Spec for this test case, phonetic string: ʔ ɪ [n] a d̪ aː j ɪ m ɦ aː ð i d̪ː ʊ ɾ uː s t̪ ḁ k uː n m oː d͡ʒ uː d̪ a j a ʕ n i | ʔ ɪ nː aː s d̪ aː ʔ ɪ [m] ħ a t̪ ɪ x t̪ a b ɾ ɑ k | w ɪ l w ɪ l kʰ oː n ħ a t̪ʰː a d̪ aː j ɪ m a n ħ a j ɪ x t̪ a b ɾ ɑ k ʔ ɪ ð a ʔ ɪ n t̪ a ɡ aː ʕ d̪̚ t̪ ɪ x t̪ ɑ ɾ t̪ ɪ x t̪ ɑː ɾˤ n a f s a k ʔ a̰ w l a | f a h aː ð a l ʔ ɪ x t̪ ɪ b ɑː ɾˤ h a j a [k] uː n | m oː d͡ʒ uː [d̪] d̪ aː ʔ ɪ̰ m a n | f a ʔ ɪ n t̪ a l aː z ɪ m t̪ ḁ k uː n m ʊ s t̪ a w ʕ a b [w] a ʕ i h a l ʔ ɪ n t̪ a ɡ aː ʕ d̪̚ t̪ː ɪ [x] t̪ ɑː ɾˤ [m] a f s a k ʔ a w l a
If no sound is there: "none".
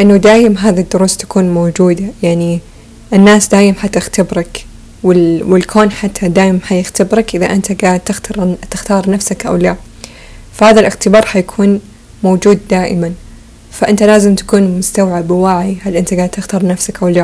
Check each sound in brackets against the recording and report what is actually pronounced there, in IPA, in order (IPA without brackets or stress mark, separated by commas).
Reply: nː, m, kʰ, d̪, w, x, n